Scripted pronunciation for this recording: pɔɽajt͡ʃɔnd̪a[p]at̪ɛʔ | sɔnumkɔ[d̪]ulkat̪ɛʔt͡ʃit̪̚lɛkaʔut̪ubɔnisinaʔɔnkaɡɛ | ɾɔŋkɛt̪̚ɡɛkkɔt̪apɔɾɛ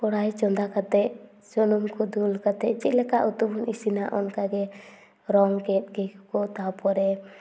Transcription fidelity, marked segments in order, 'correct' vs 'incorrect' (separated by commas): incorrect, correct